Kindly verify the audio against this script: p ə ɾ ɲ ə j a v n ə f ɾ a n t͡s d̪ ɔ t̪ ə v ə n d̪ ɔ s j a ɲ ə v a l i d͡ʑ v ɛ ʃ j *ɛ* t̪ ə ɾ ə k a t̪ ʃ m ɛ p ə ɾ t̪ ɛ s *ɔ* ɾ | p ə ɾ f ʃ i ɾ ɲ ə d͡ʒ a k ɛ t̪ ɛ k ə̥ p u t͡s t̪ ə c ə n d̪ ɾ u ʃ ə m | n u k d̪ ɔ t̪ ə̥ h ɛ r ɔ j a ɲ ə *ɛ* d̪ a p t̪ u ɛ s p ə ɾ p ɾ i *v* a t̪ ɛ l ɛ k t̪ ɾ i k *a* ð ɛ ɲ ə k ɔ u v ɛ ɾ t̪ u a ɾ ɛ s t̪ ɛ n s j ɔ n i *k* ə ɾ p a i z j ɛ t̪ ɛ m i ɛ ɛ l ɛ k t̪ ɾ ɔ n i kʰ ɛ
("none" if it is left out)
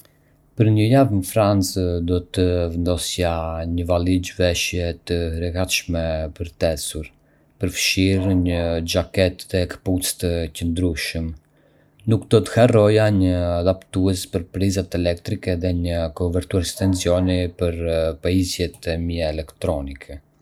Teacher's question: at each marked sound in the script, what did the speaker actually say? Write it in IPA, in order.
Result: ɛ, u, a, z, ɛ, p

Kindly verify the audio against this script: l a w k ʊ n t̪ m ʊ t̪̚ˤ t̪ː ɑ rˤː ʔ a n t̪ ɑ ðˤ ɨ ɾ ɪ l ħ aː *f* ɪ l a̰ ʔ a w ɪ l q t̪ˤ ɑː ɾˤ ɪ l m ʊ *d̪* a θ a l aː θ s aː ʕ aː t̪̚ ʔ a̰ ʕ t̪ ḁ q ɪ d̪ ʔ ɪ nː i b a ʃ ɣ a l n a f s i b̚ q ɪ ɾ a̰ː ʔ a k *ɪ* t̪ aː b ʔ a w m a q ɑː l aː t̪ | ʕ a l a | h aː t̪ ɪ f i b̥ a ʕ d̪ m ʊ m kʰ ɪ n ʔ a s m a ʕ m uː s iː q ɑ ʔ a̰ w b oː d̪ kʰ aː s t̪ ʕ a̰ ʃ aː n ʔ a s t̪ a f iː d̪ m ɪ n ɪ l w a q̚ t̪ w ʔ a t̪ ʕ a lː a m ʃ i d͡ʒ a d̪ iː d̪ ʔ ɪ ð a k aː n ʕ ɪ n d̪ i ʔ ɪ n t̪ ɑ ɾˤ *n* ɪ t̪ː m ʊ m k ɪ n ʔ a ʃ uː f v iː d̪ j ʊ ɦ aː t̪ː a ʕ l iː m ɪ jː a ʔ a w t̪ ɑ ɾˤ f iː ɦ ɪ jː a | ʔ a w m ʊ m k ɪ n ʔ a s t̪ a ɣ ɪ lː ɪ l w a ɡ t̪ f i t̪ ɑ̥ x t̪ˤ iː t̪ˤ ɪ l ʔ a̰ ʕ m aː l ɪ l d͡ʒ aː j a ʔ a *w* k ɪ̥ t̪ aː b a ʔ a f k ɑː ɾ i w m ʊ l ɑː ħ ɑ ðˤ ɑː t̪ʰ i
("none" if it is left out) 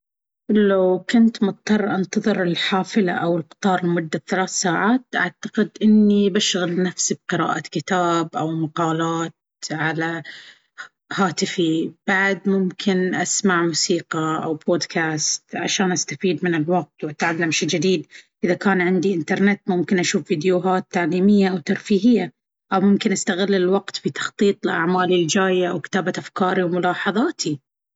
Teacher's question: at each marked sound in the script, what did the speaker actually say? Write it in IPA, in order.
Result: f, d̪ː, ɪ, n, w

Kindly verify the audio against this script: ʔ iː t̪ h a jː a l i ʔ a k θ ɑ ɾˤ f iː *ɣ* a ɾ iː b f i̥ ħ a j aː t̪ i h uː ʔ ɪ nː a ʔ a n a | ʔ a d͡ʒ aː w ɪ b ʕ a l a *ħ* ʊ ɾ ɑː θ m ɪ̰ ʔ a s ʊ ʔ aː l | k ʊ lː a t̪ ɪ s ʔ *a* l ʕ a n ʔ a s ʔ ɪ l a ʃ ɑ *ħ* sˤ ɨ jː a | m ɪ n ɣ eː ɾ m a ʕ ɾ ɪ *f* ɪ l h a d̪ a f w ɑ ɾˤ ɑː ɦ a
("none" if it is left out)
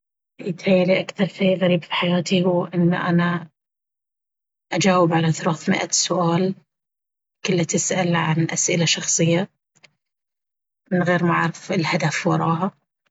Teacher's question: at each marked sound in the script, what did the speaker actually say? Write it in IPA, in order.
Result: ɣ, θ, a, x, f

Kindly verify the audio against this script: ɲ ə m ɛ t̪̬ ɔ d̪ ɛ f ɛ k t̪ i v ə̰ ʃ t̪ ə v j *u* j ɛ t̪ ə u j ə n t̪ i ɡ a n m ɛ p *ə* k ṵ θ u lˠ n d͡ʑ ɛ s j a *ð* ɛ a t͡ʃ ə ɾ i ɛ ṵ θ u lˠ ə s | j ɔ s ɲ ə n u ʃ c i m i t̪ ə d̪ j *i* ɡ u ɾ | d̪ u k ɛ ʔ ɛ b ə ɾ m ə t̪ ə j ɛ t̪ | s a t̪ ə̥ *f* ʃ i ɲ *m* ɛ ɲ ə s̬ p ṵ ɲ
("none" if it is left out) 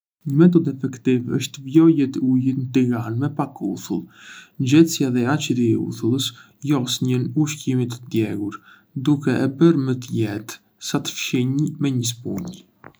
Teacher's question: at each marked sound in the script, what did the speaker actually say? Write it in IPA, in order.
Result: ɔ, a, ð, ɛ, f, m

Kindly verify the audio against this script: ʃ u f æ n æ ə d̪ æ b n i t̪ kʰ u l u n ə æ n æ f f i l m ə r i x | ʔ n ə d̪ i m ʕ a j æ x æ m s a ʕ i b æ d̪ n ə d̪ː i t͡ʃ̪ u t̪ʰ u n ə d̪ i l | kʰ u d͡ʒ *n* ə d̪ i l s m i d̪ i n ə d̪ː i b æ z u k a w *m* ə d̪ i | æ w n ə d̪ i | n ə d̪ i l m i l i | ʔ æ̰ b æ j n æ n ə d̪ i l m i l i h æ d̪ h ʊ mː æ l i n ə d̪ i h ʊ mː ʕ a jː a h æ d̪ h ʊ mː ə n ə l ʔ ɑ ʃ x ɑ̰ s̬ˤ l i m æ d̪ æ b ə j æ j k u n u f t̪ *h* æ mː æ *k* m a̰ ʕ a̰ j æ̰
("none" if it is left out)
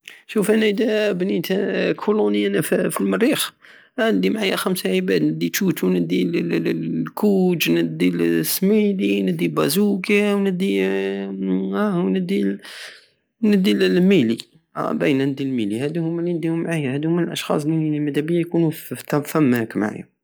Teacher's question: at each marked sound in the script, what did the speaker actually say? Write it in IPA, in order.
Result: n, n, f, k

